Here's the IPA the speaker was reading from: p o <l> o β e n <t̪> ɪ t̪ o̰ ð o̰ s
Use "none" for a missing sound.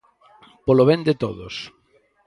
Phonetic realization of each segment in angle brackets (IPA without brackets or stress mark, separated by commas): l, d̪